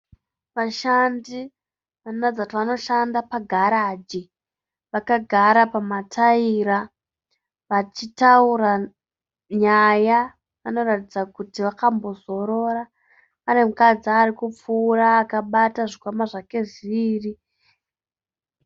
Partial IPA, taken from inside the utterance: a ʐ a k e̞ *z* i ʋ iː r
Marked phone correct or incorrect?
incorrect